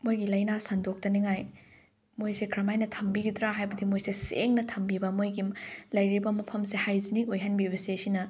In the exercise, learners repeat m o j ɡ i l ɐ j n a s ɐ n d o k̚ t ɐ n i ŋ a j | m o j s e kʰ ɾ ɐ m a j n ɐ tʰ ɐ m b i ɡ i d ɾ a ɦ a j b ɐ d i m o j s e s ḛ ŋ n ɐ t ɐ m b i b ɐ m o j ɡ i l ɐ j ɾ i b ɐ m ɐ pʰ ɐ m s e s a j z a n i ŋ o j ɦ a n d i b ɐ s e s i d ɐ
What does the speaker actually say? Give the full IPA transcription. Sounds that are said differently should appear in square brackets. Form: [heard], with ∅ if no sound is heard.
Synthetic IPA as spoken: m o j ɡ i l ɐ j n a s ɐ n d o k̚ t ɐ n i ŋ a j | m o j s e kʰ ɾ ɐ m a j n ɐ tʰ ɐ m b i ɡ i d ɾ a ɦ a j b ɐ d i m o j s e s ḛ ŋ n ɐ [tʰ] ɐ m b i b ɐ m o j ɡ i l ɐ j ɾ i b ɐ m ɐ pʰ ɐ m s e [h] a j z [i] n i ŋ o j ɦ a n [b] i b ɐ s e s i [n] ɐ